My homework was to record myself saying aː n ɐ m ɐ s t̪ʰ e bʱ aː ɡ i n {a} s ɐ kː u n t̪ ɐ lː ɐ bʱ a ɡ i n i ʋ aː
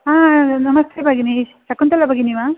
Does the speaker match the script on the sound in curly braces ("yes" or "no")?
no